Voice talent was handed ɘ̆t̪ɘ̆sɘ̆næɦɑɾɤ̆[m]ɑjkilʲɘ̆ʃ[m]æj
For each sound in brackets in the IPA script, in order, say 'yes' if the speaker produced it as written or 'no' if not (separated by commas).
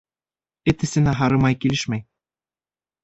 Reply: yes, yes